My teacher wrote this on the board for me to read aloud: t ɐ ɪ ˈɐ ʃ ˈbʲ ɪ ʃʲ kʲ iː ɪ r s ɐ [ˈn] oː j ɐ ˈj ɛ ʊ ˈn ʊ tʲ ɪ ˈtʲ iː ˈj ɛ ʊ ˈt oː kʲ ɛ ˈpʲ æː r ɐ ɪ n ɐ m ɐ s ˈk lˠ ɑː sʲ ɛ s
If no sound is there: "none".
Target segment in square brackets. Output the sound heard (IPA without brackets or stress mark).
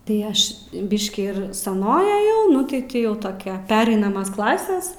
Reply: n